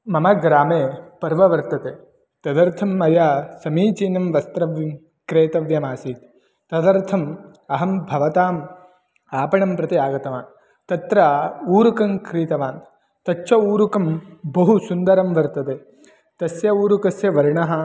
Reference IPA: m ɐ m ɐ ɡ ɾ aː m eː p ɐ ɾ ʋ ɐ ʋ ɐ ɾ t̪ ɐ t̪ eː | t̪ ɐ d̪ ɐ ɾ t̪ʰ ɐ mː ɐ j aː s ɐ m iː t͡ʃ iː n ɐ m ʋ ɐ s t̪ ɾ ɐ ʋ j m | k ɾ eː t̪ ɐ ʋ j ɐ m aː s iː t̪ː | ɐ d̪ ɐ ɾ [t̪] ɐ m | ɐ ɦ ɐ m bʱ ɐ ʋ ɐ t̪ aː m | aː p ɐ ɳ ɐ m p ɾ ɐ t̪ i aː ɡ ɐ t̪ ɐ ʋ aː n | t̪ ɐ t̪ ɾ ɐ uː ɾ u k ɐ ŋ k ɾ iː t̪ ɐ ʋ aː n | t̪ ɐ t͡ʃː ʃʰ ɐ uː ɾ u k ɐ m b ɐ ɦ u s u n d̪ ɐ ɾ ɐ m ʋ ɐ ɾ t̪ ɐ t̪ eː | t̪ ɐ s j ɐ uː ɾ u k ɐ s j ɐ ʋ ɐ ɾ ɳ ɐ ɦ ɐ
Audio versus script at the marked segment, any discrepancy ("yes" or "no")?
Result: yes